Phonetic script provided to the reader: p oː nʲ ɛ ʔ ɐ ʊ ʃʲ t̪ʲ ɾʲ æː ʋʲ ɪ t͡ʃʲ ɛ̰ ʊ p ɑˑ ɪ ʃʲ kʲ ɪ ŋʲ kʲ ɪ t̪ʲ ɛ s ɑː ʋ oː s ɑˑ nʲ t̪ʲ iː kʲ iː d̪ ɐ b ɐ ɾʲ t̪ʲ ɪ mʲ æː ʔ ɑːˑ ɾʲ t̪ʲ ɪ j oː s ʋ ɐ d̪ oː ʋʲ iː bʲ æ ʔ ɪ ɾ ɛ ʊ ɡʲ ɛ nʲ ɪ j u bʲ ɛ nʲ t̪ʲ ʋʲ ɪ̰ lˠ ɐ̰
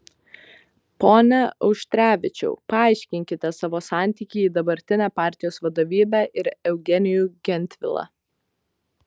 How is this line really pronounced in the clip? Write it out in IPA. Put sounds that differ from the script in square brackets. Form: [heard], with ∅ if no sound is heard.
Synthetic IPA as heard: p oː nʲ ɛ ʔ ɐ ʊ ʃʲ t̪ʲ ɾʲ æː ʋʲ ɪ t͡ʃʲ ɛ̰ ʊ p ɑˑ ɪ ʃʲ kʲ ɪ ŋʲ kʲ ɪ t̪ʲ ɛ s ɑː ʋ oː s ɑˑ nʲ t̪ʲ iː kʲ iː d̪ ɐ b ɐ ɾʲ t̪ʲ ɪ [nʲ] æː [p] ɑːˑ ɾʲ t̪ʲ ɪ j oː s ʋ ɐ d̪ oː ʋʲ iː bʲ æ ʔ ɪ ɾ ɛ ʊ ɡʲ ɛ nʲ ɪ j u [ɡʲ] ɛ nʲ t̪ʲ ʋʲ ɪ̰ lˠ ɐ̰